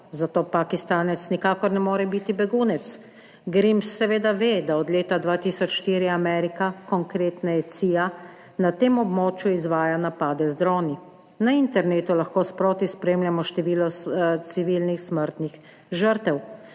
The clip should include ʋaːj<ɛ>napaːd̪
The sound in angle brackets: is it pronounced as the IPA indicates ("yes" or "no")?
no